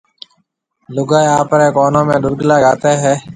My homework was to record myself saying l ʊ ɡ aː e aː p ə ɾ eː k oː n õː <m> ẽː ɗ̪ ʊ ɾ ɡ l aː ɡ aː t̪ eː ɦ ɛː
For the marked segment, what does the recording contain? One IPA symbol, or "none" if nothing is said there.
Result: m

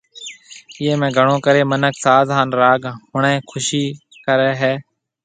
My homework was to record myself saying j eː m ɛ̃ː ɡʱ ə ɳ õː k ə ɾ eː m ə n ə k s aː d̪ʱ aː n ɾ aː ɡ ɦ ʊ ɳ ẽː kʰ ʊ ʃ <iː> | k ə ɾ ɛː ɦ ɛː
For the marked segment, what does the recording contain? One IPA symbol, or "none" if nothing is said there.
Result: iː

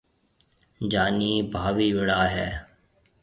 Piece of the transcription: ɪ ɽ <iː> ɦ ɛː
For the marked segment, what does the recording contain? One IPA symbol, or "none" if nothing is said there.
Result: aː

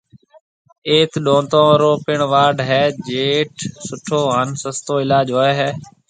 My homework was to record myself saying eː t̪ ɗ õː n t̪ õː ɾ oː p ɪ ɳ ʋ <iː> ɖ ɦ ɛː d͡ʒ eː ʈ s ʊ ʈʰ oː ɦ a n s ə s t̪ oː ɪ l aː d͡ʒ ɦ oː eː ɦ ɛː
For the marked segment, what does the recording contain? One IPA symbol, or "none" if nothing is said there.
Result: aː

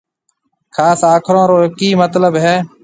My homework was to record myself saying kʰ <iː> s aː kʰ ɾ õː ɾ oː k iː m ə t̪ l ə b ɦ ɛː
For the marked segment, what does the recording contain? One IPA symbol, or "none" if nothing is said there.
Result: aː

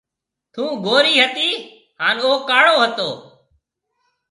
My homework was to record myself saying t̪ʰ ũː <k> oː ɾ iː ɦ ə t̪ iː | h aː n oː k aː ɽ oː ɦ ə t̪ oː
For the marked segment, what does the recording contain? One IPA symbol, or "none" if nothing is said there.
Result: ɡ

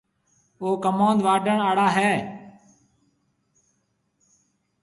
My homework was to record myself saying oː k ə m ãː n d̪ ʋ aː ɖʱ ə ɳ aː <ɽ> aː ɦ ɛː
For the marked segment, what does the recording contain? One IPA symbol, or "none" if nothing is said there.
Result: ɽ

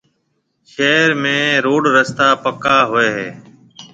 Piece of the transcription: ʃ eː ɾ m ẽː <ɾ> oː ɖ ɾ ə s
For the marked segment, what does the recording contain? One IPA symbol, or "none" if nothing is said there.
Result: ɾ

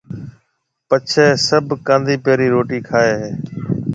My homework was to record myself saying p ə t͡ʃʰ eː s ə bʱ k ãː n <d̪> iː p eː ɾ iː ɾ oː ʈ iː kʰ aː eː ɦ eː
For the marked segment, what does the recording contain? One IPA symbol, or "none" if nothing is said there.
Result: d̪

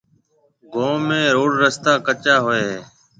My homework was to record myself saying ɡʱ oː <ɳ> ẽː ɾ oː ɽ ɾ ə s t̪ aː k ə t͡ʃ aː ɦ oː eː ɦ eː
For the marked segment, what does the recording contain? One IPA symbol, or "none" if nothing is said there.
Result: m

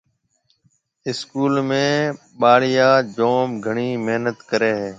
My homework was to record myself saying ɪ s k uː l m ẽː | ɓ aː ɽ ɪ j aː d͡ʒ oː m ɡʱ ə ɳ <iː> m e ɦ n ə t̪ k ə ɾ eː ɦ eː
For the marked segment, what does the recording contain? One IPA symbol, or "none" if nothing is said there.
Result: iː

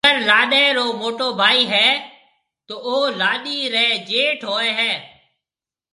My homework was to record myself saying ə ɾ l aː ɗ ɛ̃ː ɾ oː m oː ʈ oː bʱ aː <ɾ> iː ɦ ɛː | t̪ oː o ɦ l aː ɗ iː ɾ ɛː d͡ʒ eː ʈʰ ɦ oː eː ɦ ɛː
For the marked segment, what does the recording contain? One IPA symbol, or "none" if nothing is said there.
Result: none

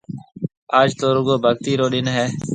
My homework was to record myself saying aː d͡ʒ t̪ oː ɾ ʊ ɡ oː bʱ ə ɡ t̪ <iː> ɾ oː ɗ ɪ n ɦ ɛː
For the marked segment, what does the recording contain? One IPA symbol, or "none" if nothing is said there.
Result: iː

